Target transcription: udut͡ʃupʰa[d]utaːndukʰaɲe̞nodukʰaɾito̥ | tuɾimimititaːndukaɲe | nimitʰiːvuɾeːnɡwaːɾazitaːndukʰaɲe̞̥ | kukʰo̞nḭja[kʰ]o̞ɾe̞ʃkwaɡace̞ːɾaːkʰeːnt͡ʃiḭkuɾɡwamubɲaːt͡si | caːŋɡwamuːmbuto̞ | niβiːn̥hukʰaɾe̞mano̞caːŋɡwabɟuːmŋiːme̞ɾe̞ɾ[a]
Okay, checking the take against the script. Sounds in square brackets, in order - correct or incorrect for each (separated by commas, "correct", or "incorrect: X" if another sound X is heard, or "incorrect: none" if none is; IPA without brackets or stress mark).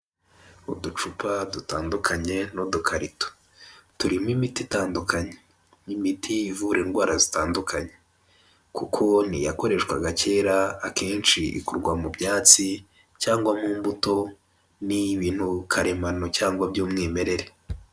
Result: correct, incorrect: k, incorrect: e